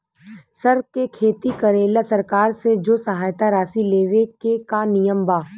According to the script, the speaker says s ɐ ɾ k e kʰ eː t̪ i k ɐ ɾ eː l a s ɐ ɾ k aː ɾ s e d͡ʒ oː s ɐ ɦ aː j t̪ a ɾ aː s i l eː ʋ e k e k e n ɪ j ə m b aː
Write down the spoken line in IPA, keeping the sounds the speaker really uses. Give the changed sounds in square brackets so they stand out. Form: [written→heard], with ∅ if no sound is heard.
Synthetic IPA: s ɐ ɾ k e kʰ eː t̪ i k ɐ ɾ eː l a s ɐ ɾ k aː ɾ s e d͡ʒ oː s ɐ ɦ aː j t̪ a ɾ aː s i l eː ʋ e k e k [e→a] n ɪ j ə m b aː